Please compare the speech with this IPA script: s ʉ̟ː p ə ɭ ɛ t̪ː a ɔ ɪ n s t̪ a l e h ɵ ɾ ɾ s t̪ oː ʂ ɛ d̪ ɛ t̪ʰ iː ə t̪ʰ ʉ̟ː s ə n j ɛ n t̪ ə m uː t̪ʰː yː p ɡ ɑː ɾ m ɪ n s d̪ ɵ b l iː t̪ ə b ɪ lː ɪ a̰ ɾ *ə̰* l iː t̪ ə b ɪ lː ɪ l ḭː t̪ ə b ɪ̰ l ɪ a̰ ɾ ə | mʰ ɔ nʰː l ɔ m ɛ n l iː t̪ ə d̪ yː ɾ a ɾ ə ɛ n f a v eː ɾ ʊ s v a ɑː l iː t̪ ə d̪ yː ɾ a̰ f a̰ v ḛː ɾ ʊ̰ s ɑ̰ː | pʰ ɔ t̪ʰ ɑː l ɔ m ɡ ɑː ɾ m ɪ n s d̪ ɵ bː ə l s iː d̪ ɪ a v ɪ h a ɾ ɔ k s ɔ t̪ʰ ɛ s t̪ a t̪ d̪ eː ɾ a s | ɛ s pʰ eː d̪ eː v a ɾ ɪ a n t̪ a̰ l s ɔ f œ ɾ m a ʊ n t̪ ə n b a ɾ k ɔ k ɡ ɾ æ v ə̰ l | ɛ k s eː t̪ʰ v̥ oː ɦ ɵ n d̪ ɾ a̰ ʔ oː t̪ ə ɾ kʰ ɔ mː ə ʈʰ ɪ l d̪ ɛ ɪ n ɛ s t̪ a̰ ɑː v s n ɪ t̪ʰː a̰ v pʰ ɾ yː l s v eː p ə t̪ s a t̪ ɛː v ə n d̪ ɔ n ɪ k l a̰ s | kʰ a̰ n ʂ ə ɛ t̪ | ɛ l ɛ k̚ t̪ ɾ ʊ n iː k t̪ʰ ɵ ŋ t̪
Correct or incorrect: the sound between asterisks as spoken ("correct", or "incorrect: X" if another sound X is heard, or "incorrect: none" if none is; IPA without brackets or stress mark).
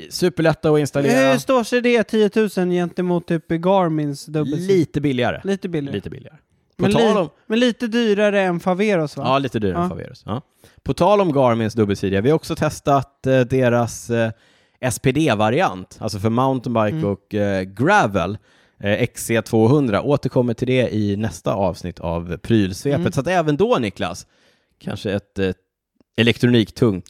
correct